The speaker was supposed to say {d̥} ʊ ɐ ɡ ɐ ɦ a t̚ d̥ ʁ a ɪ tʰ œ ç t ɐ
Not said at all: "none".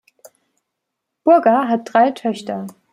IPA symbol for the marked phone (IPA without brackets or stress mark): b̥